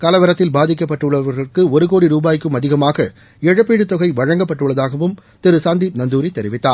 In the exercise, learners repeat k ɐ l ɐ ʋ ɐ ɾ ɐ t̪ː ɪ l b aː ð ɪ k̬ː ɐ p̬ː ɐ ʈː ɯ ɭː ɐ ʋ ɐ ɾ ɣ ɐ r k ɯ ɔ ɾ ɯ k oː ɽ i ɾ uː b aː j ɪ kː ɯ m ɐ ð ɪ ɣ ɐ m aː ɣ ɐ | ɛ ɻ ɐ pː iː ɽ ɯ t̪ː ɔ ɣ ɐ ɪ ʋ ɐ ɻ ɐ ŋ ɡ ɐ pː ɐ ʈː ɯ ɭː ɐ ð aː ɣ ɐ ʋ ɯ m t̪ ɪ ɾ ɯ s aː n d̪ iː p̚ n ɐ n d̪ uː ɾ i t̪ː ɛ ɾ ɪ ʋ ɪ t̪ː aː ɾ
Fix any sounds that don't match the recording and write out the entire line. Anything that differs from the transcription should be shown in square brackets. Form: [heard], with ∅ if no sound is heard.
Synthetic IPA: k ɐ l ɐ ʋ ɐ ɾ ɐ t̪ː ɪ l b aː ð ɪ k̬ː ɐ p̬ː ɐ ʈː ɯ ɭː ɐ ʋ ɐ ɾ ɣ ɐ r k ɯ ɔ ɾ ɯ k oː ɽ i ɾ uː b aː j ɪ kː ɯ m ɐ ð ɪ ɣ ɐ m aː ɣ ɐ | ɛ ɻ ɐ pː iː ɽ ɯ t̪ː ɔ ɣ ɐ ɪ ʋ ɐ ɻ ɐ ŋ ɡ ɐ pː ɐ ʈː ɯ ɭː ɐ ð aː ɣ ɐ ʋ ɯ m t̪ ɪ ɾ ɯ s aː n d̪ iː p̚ n ɐ n d̪ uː ɾ i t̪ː ɛ ɾ ɪ ʋ ɪ t̪ː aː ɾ